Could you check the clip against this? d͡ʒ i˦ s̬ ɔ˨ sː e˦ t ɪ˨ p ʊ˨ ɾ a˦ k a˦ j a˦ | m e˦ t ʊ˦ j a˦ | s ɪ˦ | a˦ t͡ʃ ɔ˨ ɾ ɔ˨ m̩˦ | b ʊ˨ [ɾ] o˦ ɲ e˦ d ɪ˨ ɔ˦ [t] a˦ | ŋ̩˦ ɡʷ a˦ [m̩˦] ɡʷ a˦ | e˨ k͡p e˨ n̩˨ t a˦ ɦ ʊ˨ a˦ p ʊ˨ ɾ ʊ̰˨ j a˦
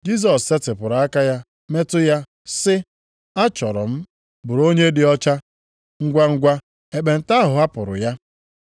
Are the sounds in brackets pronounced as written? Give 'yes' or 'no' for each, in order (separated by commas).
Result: yes, no, no